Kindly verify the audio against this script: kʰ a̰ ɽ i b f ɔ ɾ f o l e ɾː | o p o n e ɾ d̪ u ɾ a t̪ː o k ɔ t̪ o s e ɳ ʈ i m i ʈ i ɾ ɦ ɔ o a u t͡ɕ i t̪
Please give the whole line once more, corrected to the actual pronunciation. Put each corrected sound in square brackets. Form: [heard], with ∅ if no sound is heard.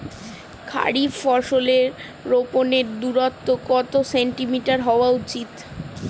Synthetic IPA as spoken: kʰ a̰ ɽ i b f ɔ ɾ [ʃ] o l e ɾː | o p o n e ɾ d̪ u ɾ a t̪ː o k ɔ t̪ o s e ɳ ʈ i m i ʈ [a] ɾ ɦ ɔ o a u t͡ɕ i t̪